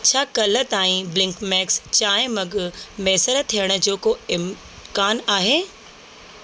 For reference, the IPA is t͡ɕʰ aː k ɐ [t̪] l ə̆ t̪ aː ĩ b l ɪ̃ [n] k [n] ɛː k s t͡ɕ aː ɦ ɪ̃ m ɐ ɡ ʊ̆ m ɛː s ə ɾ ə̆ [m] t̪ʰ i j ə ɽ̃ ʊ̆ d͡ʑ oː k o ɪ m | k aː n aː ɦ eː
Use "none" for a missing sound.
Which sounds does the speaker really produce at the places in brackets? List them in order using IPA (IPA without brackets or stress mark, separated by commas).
none, ŋ, m, none